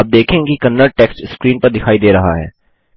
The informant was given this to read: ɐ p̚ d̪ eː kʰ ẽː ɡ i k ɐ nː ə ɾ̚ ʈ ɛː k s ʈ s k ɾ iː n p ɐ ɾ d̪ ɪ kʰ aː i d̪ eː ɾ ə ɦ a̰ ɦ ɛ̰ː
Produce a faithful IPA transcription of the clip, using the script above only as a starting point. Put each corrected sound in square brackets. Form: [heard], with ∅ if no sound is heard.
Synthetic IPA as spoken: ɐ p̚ d̪ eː kʰ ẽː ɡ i k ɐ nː ə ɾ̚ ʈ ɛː k s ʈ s k ɾ iː n p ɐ ɾ d̪ ɪ kʰ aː i d̪ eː ɾ [ɐ] ɦ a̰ ɦ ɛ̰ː